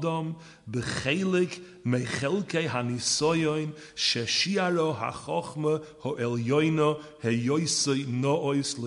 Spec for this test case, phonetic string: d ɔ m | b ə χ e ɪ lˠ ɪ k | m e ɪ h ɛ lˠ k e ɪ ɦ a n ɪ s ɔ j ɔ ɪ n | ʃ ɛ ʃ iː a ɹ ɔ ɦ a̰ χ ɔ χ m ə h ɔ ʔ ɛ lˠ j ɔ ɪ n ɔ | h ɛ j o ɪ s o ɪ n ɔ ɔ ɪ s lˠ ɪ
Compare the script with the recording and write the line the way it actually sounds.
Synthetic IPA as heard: d ɔ m | b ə χ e ɪ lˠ ɪ k | m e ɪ χ ɛ lˠ k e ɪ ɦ a n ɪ s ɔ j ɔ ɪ n | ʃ ɛ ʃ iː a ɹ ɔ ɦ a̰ χ ɔ χ m ə h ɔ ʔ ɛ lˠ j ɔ ɪ n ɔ | h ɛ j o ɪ s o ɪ n ɔ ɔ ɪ s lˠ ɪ